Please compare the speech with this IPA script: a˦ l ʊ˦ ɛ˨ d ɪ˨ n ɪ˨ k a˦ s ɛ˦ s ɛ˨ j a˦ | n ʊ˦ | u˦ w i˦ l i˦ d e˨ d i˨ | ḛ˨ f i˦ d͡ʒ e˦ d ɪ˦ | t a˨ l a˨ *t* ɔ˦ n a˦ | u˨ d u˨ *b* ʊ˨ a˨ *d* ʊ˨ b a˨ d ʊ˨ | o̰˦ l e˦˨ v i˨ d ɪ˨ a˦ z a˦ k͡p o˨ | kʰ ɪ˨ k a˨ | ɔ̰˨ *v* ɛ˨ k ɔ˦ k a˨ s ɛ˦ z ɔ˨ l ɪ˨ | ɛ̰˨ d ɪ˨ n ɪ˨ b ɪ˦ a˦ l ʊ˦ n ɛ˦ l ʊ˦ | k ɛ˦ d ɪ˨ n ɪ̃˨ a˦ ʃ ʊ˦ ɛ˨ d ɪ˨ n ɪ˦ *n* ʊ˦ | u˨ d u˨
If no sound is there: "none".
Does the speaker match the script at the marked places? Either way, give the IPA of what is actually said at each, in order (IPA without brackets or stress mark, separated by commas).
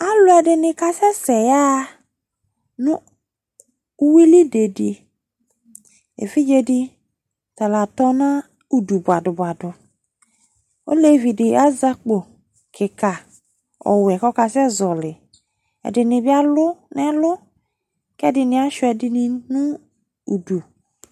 t, b, d, w, n